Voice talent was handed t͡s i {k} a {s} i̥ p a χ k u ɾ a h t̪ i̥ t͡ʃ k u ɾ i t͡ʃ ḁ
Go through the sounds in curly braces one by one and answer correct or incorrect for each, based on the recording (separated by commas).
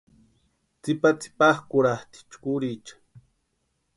incorrect, incorrect